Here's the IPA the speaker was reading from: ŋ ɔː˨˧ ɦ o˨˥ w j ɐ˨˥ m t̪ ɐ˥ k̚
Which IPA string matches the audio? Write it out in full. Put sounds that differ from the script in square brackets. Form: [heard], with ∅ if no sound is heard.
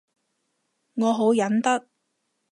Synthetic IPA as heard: ŋ ɔː˨˧ ɦ o˨˥ w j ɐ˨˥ [n] t̪ ɐ˥ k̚